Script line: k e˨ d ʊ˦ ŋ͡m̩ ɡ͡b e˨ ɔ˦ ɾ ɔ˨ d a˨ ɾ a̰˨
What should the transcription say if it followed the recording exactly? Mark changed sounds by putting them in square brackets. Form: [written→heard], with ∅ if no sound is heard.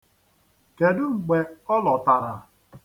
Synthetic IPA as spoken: k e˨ d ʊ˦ ŋ͡m̩ ɡ͡b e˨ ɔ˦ [ɾ→l] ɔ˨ [d→t] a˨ ɾ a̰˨